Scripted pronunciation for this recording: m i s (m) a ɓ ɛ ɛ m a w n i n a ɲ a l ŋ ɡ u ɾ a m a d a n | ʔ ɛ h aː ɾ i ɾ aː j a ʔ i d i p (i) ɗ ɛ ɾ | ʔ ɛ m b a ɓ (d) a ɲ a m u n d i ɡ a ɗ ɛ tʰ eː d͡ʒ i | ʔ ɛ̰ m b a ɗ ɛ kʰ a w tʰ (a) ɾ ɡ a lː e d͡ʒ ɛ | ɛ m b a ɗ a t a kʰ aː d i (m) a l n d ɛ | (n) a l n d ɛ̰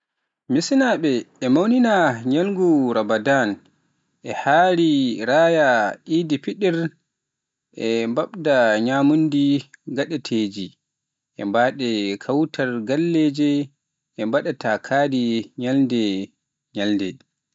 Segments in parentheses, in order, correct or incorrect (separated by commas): incorrect, correct, correct, correct, incorrect, incorrect